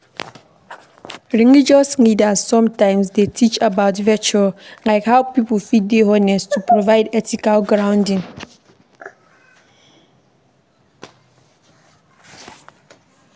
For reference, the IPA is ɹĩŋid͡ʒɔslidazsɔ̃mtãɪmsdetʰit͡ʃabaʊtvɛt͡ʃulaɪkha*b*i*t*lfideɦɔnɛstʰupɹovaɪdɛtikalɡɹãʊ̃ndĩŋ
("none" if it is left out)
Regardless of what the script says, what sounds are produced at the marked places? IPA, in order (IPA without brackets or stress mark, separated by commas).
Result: p, p